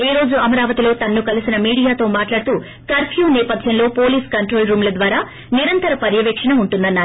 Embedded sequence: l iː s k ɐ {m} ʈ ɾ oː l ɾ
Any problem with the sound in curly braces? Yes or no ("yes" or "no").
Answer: yes